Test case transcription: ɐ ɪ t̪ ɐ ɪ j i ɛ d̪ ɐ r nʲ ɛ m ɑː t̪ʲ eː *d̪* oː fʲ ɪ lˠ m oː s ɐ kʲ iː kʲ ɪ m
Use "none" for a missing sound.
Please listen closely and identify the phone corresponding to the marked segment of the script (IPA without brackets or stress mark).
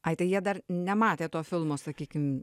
t̪